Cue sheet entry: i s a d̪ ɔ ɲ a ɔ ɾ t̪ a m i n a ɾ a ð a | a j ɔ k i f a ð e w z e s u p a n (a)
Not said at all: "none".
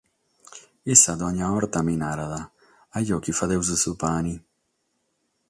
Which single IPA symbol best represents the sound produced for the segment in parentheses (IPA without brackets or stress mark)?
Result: i